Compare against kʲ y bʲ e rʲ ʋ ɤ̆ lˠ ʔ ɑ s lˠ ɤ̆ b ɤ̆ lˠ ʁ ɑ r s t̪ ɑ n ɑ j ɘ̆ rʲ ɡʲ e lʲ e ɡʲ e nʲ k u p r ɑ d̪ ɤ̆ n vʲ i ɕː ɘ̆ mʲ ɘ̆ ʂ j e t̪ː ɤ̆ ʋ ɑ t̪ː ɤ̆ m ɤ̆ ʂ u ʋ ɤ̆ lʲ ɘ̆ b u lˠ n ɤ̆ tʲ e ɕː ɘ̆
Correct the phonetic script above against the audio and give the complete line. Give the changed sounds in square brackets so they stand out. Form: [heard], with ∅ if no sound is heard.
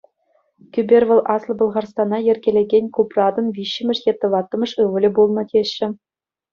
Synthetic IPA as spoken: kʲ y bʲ e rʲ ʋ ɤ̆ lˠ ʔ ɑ s lˠ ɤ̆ b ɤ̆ lˠ ʁ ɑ r s t̪ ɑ n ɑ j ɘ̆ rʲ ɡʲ e lʲ e ɡʲ e nʲ k u p r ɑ d̪ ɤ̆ n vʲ i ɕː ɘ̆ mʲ ɘ̆ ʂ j e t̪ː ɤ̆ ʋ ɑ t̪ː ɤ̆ m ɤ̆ ʂ [ɯ] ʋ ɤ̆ lʲ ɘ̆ b u lˠ n ɤ̆ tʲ e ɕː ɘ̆

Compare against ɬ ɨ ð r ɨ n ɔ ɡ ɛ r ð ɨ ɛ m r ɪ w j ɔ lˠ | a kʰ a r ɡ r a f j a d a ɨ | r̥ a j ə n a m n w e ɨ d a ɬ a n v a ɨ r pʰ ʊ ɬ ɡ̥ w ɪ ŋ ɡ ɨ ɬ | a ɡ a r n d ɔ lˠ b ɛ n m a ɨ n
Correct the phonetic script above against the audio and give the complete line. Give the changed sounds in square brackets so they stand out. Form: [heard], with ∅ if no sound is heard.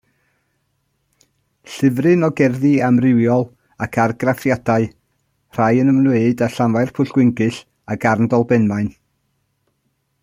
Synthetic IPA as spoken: ɬ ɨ [v] r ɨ n ɔ ɡ ɛ r ð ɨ [a] m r ɪ w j ɔ lˠ | a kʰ a r ɡ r a f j a d a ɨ | r̥ a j ə n [ə] m n w e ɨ d a ɬ a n v a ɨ r pʰ ʊ ɬ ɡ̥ w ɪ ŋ ɡ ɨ ɬ | a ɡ a r n d ɔ lˠ b ɛ n m a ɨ n

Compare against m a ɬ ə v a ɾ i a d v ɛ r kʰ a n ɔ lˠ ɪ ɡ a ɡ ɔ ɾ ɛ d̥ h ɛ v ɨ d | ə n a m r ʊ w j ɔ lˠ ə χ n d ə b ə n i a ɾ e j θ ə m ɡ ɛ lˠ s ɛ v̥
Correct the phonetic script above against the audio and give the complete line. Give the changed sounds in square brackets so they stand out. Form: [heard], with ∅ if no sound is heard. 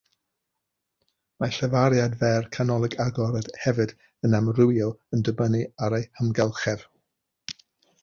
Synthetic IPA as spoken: m a ɬ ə v a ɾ [j] a d v ɛ r kʰ a n ɔ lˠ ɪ ɡ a ɡ ɔ ɾ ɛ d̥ h ɛ v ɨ d | ə n a m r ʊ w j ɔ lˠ ə [∅] n d ə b ə n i a ɾ e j [h] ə m ɡ ɛ lˠ [χ] ɛ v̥

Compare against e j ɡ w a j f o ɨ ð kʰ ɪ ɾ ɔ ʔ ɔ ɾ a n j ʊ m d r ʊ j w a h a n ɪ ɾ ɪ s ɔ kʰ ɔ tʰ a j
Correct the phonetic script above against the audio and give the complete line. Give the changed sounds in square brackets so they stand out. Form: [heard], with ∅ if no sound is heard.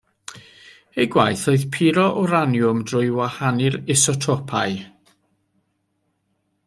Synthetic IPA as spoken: e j ɡ w a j [θ] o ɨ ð [pʰ] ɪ ɾ ɔ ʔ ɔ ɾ a n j ʊ m d r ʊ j w a h a n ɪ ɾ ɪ s ɔ [tʰ] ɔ [pʰ] a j

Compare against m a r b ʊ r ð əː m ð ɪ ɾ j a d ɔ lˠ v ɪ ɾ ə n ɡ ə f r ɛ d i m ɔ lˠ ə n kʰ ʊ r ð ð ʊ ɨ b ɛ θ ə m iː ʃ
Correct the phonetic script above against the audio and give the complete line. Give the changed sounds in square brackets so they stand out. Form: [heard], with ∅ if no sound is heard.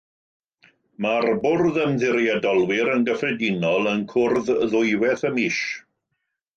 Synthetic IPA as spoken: m a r b ʊ r ð [ə] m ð ɪ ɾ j a d ɔ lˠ [w] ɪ ɾ ə n ɡ ə f r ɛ d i [n] ɔ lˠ ə n kʰ ʊ r ð ð ʊ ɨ [w] ɛ θ ə m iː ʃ

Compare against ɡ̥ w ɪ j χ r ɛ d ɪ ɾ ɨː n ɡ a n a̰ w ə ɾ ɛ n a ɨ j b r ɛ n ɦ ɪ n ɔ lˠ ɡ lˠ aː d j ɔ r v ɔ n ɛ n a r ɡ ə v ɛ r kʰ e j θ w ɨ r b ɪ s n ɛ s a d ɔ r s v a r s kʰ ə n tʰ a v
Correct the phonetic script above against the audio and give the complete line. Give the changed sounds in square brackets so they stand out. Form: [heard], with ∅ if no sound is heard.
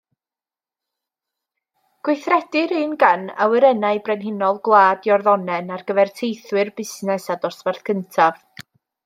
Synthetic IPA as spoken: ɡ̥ w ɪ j [θ] r ɛ d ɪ ɾ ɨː n ɡ a n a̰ w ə ɾ ɛ n a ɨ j b r ɛ n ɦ ɪ n ɔ lˠ ɡ lˠ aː d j ɔ r [ð] ɔ n ɛ n a r ɡ ə v ɛ r [tʰ] e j θ w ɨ r b ɪ s n ɛ s a d ɔ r s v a r [θ] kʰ ə n tʰ a v

